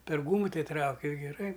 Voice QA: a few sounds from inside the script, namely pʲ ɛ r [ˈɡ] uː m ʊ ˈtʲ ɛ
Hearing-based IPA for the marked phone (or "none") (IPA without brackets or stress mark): ɡ